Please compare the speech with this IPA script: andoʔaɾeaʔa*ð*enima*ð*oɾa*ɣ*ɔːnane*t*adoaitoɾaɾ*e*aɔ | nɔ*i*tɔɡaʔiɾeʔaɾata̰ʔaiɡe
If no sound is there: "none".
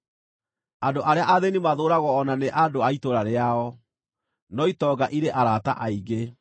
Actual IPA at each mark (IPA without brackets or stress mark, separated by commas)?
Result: ð, ð, ɣ, ʔ, e, i